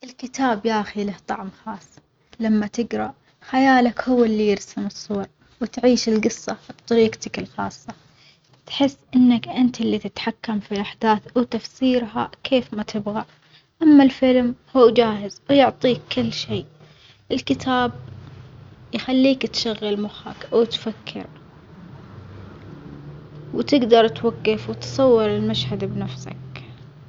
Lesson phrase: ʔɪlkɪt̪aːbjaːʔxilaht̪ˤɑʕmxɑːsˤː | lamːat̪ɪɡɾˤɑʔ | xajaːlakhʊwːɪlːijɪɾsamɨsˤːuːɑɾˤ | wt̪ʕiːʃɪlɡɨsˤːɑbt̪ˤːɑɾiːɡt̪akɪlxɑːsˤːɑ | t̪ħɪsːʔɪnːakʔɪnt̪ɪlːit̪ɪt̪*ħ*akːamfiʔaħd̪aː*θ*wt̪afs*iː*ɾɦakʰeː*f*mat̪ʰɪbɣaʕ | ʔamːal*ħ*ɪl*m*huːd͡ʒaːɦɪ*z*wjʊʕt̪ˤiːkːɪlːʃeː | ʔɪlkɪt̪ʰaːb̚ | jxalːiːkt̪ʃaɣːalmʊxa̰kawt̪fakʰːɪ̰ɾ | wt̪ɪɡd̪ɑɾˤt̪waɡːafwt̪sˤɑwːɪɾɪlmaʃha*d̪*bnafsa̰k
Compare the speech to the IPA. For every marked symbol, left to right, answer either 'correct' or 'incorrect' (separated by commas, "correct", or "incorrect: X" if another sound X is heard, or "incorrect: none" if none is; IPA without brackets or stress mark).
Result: correct, correct, correct, correct, incorrect: f, correct, correct, correct